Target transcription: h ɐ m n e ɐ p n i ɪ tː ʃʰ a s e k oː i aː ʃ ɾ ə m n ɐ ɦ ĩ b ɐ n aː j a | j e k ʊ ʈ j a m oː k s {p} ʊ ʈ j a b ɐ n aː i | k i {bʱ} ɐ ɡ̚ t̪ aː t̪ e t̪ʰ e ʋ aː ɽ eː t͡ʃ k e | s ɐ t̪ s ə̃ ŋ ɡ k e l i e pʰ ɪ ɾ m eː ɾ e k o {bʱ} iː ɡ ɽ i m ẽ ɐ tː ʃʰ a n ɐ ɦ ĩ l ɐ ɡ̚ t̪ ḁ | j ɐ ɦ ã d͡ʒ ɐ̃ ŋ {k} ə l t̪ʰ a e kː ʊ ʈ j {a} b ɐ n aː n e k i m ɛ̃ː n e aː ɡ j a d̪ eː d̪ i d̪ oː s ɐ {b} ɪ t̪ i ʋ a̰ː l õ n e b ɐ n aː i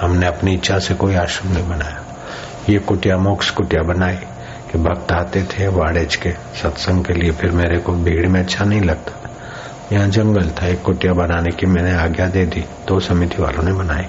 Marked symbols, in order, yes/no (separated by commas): no, yes, yes, no, yes, no